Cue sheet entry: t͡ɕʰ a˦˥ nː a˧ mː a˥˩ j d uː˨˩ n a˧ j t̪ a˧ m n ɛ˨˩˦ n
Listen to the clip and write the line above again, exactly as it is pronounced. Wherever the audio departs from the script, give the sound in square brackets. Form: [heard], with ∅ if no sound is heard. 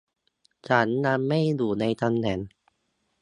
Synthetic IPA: t͡ɕʰ a˦˥ nː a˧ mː a˥˩ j d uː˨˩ n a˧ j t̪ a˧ m n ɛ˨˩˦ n